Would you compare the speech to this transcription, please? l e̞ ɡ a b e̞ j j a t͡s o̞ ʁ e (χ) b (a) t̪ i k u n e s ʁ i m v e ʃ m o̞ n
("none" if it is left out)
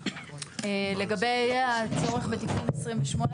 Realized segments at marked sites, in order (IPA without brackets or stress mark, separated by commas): χ, e